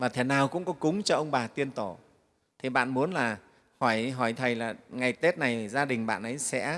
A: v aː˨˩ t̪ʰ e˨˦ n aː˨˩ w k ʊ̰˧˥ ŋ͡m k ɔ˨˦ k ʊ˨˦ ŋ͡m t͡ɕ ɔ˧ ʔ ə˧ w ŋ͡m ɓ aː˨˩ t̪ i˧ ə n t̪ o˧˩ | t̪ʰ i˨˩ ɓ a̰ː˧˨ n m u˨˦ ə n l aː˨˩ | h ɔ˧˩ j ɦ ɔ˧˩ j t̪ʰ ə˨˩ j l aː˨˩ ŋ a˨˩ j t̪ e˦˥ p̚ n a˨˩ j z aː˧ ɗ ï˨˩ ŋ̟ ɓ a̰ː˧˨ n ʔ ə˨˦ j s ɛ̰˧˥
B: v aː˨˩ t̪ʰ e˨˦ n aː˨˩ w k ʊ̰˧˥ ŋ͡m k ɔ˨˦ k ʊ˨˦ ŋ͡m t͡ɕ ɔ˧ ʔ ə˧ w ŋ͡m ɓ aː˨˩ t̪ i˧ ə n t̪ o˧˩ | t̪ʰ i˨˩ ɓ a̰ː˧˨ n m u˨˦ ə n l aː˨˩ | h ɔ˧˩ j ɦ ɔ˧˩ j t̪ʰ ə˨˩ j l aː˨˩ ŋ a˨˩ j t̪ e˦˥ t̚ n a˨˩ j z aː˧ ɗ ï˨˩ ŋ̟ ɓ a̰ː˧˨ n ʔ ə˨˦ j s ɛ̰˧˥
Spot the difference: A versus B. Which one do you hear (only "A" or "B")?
B